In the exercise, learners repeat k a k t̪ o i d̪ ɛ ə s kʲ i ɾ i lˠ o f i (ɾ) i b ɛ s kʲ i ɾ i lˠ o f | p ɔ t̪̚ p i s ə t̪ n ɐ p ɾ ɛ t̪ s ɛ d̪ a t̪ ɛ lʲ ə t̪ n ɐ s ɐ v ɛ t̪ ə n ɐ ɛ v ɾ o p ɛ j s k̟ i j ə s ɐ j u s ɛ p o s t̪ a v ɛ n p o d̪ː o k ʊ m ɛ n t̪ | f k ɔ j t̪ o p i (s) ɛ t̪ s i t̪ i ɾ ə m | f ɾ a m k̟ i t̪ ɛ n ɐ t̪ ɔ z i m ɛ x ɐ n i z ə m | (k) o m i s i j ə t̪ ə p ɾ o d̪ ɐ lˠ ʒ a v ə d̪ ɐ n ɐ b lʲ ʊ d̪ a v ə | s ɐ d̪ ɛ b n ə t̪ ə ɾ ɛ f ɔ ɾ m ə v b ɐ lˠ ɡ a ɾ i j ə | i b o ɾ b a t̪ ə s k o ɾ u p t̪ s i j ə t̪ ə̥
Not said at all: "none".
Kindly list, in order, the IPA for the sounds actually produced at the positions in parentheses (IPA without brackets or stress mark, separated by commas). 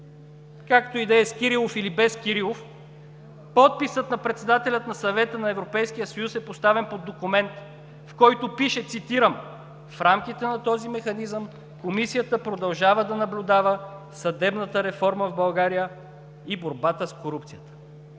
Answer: l, ʃ, k